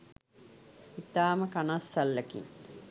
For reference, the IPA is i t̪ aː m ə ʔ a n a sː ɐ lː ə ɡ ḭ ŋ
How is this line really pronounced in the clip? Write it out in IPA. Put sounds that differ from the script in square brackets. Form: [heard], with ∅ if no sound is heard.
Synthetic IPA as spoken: i t̪ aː m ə [k] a n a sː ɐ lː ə [k] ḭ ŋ